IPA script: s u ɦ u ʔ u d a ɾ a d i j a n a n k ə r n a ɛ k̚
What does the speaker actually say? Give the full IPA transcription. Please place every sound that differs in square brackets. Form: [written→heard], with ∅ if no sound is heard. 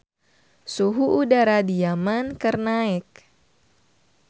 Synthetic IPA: s u ɦ u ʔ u d a ɾ a d i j a [n→m] a n k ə r n a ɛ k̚